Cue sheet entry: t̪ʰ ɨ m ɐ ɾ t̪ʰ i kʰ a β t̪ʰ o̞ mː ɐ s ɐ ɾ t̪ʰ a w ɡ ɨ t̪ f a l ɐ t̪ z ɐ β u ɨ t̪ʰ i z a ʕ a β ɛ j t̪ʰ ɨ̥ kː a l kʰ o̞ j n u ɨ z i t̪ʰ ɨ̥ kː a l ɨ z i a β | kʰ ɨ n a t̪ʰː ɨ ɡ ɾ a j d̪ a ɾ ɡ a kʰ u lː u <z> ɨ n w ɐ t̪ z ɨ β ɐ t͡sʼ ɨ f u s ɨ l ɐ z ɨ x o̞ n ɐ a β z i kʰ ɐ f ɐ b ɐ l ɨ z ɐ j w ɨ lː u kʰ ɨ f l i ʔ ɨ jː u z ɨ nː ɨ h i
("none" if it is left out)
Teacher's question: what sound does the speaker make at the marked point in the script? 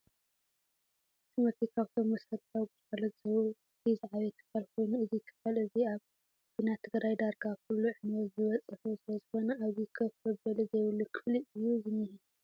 ʕ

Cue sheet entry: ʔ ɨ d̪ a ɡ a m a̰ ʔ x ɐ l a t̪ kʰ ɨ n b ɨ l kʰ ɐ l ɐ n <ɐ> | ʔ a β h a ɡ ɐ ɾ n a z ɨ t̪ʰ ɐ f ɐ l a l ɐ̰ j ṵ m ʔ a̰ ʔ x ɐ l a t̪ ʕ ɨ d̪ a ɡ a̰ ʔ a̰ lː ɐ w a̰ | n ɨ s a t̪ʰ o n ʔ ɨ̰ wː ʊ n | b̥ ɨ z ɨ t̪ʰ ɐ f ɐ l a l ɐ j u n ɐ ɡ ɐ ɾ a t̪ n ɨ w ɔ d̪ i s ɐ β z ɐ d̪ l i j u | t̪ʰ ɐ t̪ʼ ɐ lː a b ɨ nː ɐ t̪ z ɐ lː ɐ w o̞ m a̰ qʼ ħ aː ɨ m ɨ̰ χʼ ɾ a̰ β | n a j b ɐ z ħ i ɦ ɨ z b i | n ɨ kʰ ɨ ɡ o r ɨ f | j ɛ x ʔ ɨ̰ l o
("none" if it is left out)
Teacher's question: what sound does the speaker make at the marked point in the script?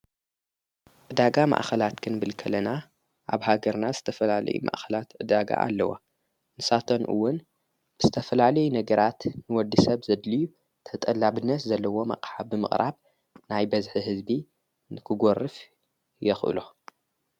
a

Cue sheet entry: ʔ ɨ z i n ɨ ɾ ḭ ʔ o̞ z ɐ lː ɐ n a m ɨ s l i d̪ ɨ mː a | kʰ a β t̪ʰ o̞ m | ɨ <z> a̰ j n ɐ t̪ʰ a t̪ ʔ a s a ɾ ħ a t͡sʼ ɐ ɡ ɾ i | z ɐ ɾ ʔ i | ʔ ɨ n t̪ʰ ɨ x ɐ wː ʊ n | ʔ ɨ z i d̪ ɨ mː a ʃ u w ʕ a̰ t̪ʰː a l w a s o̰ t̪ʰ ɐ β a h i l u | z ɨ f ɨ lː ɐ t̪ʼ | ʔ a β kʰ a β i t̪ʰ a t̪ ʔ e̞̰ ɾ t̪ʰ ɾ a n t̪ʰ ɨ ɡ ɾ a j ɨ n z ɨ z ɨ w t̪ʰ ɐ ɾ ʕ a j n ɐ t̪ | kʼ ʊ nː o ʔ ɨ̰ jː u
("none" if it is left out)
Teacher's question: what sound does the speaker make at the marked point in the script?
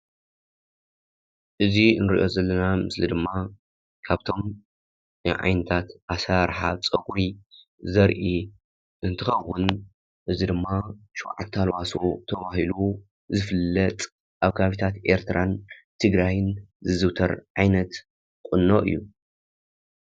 ʕ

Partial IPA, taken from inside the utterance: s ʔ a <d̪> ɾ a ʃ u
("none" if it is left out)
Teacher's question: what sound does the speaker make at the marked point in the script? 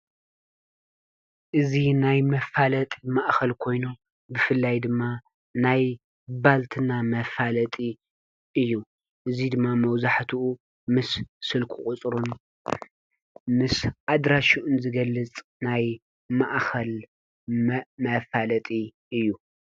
d̪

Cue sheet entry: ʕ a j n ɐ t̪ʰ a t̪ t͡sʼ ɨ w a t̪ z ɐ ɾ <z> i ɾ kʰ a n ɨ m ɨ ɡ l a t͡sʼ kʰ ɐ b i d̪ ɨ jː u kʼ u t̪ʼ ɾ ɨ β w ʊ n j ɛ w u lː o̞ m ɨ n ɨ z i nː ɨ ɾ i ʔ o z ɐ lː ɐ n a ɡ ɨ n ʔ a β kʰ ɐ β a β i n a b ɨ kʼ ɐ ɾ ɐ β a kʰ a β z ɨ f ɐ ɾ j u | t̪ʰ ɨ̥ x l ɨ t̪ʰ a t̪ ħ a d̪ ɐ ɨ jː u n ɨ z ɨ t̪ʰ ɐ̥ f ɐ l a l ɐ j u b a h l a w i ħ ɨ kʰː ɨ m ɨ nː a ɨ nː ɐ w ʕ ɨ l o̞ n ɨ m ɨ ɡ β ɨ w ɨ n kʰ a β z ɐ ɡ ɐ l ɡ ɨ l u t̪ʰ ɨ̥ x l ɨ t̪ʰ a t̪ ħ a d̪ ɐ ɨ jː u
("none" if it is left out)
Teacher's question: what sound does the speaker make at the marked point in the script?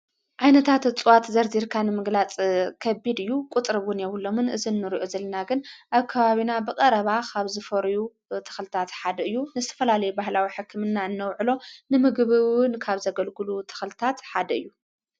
z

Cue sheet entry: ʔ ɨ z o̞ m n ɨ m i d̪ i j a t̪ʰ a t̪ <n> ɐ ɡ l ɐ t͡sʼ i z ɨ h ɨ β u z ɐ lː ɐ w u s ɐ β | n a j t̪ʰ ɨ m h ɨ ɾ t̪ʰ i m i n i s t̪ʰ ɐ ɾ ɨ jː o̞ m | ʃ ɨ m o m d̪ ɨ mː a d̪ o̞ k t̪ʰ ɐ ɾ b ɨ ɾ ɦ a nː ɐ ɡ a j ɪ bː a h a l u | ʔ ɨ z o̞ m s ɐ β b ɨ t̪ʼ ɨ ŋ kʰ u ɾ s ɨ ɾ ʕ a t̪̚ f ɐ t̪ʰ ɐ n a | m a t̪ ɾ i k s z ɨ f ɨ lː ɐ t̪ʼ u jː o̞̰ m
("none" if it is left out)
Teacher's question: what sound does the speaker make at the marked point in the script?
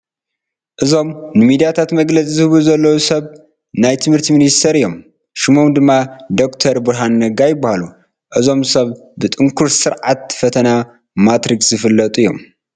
m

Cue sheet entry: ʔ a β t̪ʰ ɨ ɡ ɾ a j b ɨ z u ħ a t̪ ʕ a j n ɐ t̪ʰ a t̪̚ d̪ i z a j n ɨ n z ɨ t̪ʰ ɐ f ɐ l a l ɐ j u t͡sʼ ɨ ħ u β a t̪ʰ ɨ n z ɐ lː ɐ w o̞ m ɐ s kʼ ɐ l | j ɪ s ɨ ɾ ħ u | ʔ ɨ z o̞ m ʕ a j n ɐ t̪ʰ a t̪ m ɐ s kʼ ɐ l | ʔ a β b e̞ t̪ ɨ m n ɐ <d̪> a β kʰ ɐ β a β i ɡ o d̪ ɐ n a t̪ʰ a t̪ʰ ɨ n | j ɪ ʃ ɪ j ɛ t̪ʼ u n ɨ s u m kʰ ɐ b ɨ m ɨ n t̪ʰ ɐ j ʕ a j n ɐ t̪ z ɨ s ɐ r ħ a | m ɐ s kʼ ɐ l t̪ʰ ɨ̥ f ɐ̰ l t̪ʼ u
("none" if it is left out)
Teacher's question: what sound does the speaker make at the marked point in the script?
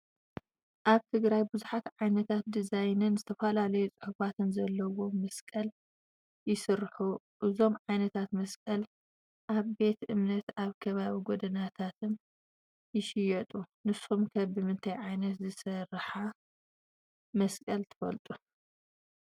t̪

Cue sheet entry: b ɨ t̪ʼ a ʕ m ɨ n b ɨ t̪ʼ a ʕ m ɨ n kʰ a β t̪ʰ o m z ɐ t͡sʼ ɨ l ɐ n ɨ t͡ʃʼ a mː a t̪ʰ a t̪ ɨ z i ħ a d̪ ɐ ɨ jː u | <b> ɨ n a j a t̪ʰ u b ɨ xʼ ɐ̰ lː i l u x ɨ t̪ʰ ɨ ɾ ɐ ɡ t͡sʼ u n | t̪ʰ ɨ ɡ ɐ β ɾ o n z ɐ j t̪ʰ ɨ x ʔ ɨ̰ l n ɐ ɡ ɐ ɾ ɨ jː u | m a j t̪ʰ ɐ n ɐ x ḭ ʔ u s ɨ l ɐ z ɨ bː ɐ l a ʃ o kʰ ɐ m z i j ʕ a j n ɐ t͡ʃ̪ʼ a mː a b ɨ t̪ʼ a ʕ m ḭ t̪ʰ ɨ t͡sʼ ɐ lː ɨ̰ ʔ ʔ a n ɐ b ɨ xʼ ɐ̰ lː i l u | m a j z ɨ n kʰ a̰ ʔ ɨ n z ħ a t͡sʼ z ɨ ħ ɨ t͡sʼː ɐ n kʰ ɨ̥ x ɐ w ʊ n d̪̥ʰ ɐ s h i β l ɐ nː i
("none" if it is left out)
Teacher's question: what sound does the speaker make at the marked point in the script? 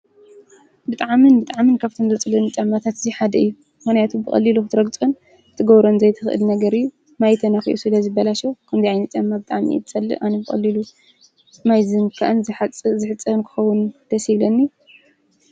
m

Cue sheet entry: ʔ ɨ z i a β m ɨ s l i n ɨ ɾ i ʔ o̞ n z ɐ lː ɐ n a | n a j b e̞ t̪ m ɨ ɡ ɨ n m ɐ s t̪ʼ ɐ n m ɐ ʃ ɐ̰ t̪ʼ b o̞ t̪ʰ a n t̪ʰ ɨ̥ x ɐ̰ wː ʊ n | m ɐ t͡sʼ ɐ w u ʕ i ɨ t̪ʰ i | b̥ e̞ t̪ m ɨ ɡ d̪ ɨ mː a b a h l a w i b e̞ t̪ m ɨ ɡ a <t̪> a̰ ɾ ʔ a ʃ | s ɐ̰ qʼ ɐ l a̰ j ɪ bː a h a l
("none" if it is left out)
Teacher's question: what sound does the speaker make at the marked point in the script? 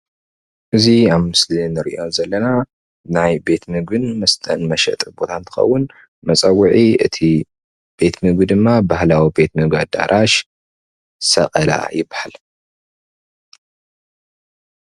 d̪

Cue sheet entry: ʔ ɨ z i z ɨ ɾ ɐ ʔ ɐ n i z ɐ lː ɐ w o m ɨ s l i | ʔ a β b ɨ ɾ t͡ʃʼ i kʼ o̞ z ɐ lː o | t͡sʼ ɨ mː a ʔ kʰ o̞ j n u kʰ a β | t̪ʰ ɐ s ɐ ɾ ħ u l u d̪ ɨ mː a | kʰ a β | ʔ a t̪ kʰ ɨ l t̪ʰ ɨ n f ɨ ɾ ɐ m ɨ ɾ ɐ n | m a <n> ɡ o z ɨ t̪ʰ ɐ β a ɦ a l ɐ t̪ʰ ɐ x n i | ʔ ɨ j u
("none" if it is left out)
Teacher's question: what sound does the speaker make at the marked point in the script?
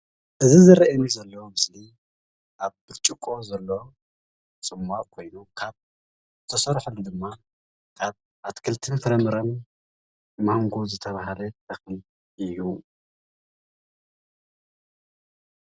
ŋ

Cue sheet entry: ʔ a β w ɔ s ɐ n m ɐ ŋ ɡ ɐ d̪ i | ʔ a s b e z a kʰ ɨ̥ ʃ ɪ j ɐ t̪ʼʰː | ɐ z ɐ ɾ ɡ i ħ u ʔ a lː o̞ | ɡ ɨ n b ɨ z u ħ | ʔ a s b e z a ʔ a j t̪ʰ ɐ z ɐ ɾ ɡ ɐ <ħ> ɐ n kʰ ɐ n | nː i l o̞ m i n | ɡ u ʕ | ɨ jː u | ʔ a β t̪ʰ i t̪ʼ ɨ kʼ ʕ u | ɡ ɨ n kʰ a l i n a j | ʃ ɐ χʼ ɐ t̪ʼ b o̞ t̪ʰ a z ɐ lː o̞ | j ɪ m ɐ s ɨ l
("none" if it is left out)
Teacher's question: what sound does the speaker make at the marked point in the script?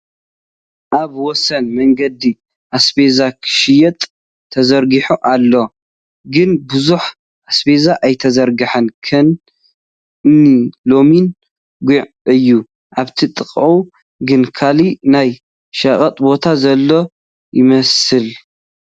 ħ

